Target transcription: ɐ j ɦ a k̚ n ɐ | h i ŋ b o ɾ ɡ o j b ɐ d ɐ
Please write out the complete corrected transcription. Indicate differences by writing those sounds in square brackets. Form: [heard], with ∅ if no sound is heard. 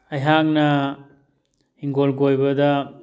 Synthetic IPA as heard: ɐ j ɦ a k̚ n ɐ | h i ŋ [ɡ] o [l] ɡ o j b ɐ d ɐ